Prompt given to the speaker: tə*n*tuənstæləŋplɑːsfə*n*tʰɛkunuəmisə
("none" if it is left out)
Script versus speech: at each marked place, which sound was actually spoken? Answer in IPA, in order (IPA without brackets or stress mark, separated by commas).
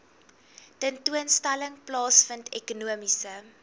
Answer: n, n